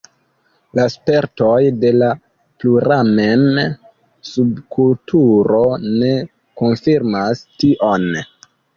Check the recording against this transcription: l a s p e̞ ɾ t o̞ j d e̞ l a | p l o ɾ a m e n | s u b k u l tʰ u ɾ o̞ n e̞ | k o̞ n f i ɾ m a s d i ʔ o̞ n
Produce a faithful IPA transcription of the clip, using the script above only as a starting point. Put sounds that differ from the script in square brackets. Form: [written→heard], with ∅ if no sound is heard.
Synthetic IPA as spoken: l a s p e̞ ɾ t o̞ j d e̞ l a | p l [o→u] ɾ a m e n | s u b k u l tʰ u ɾ o̞ n e̞ | k o̞ n f i ɾ m a s [d→t] i ʔ o̞ n